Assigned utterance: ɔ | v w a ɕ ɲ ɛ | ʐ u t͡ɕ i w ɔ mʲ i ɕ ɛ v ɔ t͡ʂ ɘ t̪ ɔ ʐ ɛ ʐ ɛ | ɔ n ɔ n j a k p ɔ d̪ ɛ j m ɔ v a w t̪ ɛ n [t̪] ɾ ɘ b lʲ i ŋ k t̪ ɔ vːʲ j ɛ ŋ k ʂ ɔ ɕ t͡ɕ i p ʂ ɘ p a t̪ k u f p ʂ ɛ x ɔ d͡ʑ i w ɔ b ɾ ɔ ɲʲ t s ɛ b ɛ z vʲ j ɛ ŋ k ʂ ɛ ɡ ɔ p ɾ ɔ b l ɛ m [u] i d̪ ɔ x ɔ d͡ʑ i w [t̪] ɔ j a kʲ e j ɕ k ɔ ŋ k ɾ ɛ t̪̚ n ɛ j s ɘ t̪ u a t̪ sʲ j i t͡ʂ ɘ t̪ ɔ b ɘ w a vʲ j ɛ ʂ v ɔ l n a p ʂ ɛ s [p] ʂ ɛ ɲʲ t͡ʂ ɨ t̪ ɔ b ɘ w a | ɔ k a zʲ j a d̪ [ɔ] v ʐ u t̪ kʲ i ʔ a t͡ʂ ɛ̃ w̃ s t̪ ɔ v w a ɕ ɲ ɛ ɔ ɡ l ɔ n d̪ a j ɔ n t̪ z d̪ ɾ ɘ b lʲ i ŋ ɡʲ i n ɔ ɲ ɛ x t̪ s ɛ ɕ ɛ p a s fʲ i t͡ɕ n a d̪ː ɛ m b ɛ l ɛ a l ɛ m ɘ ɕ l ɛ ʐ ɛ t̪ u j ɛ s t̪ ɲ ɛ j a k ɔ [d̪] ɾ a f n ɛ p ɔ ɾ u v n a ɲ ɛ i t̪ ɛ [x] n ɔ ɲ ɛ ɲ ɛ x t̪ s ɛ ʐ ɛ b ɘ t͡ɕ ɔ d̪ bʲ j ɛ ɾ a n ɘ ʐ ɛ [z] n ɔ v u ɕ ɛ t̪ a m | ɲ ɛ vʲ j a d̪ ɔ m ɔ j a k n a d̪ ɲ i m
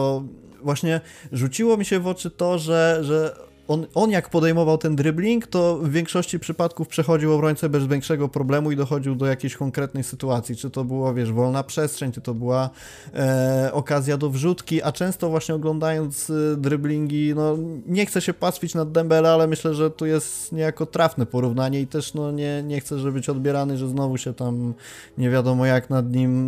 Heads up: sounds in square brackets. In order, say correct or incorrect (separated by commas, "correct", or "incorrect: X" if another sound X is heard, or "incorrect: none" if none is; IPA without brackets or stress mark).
incorrect: d̪, correct, incorrect: d̪, incorrect: t, correct, incorrect: t̪, incorrect: ʂ, correct